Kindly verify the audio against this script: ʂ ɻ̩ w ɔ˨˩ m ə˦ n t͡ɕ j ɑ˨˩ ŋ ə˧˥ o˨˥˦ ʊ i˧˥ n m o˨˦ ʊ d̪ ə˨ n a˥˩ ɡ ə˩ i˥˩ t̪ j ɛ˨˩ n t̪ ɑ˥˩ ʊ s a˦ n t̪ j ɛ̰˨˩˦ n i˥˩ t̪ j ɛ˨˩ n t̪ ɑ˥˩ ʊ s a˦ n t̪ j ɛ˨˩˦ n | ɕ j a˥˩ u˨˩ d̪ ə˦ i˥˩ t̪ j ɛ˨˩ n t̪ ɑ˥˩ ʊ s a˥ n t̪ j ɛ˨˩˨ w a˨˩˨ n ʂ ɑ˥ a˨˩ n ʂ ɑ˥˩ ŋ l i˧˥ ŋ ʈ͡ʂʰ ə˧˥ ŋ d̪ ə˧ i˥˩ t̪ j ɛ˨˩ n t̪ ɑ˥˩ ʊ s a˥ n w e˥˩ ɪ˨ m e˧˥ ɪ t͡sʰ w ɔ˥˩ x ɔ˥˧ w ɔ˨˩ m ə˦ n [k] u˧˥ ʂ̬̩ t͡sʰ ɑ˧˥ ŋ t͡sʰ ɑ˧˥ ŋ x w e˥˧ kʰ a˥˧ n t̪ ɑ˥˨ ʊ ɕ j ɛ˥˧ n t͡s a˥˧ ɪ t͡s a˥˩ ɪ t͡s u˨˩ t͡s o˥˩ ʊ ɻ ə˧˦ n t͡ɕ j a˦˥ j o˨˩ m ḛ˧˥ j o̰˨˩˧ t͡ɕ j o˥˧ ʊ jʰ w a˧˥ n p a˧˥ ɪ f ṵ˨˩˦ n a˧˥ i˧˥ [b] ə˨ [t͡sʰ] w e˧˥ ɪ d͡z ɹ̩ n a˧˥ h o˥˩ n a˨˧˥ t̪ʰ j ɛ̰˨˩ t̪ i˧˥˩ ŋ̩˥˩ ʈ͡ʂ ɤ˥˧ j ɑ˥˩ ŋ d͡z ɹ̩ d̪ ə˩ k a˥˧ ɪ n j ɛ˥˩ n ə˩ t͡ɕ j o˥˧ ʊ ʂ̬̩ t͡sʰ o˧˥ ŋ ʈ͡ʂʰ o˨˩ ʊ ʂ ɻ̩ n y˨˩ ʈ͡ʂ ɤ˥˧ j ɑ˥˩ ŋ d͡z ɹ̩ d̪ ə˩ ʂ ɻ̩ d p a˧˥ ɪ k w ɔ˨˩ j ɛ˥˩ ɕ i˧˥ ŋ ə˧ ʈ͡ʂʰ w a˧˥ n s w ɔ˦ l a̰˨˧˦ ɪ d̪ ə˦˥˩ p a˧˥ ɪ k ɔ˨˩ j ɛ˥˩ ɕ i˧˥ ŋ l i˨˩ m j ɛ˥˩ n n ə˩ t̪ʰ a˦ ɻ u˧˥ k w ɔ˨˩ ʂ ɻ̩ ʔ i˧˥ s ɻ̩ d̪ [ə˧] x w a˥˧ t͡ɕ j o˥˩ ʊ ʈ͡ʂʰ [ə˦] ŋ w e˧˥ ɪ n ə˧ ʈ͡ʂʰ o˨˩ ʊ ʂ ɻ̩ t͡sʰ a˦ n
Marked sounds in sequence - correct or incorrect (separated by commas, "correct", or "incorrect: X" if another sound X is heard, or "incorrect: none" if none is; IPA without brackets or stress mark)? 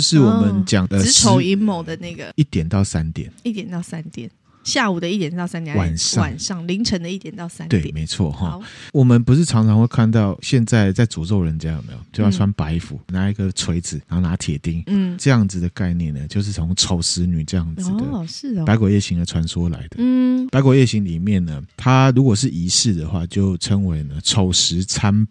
incorrect: p, incorrect: ɡ, correct, incorrect: ə˩, correct